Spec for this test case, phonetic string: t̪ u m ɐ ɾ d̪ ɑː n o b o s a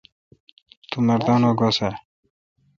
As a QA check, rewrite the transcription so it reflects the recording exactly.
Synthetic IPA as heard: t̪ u m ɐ ɾ d̪ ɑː n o ɡ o s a

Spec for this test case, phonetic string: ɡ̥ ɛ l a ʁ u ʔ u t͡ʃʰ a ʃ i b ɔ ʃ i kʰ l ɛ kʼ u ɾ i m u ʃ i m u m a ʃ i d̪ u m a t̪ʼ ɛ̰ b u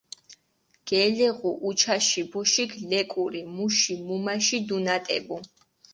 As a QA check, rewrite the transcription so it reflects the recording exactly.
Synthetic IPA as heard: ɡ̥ ɛ l ɛ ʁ u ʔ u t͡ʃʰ a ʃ i b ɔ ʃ i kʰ l ɛ kʼ u ɾ i m u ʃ i m u m a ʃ i d̪ u n a t̪ʼ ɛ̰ b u

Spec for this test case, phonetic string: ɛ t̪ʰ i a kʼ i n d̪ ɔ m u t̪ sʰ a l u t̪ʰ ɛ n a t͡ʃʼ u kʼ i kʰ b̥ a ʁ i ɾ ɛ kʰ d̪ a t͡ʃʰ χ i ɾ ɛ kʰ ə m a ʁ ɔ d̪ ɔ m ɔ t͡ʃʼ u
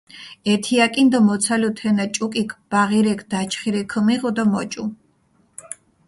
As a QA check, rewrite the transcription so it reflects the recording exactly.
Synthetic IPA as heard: ɛ t̪ʰ i a kʼ i n d̪ ɔ m ɔ t̪ sʰ a l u t̪ʰ ɛ n a t͡ʃʼ u kʼ i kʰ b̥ a ʁ i ɾ ɛ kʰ d̪ a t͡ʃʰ χ i ɾ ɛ kʰ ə m i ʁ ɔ d̪ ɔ m ɔ t͡ʃʼ u

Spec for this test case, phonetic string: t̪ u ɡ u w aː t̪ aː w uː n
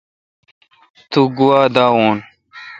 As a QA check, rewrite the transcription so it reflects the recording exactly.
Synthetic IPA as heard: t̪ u ɡ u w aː d̪ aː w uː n

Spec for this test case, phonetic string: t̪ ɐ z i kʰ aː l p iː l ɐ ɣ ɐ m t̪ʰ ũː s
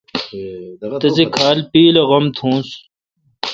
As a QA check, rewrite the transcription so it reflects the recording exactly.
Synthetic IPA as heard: t̪ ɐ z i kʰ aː l p iː l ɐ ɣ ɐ m t̪ʰ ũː s

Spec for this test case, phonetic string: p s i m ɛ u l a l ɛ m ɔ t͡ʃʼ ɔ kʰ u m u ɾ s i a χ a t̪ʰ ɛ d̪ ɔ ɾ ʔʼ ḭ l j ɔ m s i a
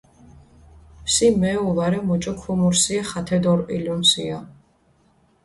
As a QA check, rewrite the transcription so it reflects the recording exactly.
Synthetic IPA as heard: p s i m ɛ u l a ɾ ɛ m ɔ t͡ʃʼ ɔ kʰ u m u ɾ s i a χ a t̪ʰ ɛ d̪ ɔ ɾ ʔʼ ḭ l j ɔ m s i a

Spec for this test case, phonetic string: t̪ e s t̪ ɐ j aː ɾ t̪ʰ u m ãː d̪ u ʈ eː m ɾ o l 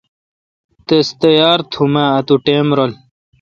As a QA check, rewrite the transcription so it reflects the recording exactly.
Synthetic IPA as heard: t̪ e s t̪ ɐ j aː ɾ t̪ʰ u m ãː t̪ u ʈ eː m ɾ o l

